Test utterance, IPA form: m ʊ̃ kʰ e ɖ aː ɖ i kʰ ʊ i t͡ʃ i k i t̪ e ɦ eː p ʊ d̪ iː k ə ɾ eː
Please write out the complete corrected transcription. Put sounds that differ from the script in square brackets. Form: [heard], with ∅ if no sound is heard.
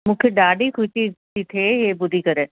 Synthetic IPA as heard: m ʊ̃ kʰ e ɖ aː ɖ i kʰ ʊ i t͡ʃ i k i [t̪ʰ] e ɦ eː [b] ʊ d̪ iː k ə ɾ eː